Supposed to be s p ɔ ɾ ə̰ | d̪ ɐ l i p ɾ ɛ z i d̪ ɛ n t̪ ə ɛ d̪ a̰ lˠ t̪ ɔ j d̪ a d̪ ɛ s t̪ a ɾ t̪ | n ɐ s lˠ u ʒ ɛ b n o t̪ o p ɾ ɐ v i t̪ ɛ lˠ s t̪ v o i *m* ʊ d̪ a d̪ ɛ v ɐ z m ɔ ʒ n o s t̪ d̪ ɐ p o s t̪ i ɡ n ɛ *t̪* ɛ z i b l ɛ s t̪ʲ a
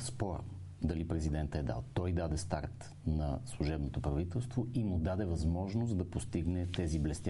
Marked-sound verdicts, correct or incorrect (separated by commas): correct, correct